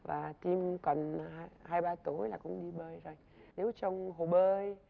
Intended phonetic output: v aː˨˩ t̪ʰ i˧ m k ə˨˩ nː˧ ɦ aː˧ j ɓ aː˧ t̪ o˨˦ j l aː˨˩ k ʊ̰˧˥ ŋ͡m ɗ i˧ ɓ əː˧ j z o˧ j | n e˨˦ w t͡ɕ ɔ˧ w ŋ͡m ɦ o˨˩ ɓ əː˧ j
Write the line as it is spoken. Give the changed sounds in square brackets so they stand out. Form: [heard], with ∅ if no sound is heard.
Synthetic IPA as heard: v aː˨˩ [t̪] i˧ m k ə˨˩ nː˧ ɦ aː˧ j ɓ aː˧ t̪ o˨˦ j l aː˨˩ k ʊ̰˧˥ ŋ͡m ɗ i˧ ɓ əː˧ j z [o˨˩] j | n e˨˦ w t͡ɕ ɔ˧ w ŋ͡m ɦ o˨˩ ɓ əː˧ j